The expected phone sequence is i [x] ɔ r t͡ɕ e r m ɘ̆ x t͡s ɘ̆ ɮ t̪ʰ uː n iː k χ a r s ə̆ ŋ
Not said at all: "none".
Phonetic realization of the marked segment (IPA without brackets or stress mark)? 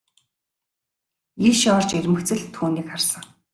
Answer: ʃ